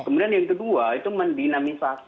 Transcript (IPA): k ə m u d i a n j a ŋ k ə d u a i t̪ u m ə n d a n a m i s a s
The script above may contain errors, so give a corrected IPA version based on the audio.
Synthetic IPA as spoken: k ə m u d i a n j a ŋ k ə d u a i t̪ u m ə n d i n a m i s a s